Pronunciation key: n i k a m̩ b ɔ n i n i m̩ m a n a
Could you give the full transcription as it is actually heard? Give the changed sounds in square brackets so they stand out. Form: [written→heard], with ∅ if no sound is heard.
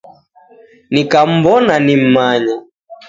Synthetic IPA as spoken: n i k a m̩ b ɔ n [i→a] n i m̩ m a [n→ɲ] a